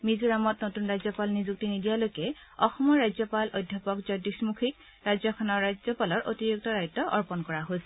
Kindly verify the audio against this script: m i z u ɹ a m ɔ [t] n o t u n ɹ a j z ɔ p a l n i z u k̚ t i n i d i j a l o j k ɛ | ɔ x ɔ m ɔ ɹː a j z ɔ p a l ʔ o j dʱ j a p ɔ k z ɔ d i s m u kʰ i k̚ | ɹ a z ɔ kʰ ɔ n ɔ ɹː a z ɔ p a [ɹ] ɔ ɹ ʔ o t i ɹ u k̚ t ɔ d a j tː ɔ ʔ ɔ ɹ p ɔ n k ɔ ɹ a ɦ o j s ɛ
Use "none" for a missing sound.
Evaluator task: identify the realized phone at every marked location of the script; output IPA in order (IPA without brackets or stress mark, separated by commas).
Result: t, l